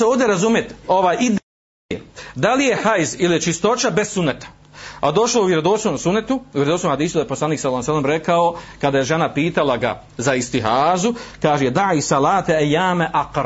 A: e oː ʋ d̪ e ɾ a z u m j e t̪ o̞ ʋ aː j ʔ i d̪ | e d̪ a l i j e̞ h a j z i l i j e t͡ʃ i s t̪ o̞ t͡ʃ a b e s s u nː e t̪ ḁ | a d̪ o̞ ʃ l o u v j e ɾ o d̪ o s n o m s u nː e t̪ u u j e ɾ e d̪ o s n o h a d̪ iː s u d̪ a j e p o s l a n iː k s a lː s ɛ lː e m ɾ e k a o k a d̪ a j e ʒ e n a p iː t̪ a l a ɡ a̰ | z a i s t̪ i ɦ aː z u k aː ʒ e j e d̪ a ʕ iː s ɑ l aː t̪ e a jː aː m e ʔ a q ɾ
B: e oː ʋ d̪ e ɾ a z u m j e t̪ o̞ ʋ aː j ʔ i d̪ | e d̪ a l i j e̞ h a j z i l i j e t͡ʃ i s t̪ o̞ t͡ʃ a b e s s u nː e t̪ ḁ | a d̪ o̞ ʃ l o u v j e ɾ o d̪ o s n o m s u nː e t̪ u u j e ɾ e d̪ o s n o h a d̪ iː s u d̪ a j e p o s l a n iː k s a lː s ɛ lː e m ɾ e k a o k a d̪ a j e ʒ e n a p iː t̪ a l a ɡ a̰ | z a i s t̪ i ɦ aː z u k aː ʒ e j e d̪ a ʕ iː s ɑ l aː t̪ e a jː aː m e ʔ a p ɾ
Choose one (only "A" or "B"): A